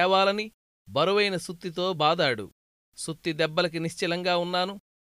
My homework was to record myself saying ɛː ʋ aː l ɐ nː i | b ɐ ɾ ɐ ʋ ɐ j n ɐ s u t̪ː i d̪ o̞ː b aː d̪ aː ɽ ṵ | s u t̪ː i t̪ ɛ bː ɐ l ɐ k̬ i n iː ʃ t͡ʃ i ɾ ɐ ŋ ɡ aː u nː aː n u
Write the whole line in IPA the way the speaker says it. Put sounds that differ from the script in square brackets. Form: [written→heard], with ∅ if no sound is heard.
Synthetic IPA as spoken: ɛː ʋ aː l ɐ [nː→n] i | b ɐ ɾ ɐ ʋ ɐ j n ɐ s u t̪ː i [d̪→t̪] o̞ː b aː d̪ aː ɽ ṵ | s u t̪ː i [t̪→d̪] ɛ bː ɐ l ɐ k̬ i n [iː→i] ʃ t͡ʃ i [ɾ→l] ɐ ŋ ɡ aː u nː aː n u